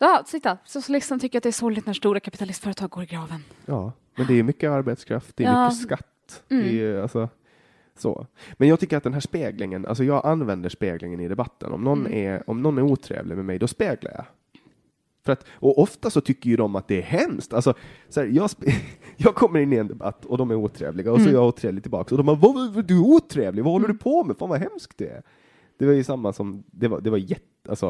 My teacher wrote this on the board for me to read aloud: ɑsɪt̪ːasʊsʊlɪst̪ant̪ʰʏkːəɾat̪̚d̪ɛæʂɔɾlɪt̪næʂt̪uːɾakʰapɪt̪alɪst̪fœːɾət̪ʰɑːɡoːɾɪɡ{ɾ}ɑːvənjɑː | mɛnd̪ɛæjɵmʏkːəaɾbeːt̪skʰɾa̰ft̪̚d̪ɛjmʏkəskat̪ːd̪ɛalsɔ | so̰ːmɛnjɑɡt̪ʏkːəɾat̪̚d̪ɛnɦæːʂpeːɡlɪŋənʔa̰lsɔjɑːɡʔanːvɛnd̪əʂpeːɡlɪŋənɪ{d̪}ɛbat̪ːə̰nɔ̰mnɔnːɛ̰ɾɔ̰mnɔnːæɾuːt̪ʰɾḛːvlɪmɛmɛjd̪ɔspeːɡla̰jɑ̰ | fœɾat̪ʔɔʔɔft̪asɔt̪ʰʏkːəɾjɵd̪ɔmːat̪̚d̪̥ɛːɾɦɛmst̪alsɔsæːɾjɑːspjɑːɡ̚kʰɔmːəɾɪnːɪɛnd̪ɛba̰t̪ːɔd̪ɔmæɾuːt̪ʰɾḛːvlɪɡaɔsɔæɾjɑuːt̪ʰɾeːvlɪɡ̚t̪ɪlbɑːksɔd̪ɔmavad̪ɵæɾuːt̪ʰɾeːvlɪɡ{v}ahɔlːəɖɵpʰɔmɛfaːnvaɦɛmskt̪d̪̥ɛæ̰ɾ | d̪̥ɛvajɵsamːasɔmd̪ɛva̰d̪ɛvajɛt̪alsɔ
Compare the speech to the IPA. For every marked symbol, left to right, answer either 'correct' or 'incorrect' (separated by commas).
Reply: correct, correct, correct